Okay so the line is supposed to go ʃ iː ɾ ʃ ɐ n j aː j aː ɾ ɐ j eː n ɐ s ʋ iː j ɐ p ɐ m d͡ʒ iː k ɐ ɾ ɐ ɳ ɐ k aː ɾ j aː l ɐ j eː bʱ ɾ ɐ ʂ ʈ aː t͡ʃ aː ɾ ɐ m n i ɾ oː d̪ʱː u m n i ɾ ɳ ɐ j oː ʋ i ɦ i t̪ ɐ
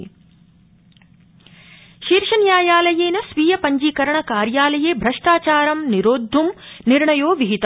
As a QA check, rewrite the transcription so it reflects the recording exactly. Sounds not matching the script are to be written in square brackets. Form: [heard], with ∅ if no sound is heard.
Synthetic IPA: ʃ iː ɾ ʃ ɐ n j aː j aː [l] ɐ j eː n ɐ s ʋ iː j ɐ p ɐ [ɲ] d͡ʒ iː k ɐ ɾ ɐ ɳ ɐ k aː ɾ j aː l ɐ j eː bʱ ɾ ɐ ʂ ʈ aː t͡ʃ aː ɾ ɐ m n i ɾ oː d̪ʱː u m n i ɾ ɳ ɐ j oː ʋ i ɦ i t̪ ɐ